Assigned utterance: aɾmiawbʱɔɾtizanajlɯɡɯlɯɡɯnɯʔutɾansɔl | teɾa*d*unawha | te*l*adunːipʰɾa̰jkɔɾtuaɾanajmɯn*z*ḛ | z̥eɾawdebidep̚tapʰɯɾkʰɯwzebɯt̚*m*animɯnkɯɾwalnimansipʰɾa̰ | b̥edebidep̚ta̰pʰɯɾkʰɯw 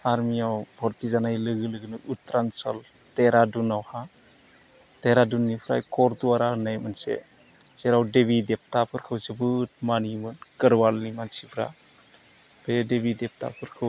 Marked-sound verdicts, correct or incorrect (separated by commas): correct, incorrect, incorrect, correct